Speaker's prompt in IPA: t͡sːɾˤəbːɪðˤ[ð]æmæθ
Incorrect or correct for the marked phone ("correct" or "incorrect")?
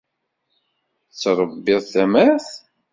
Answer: incorrect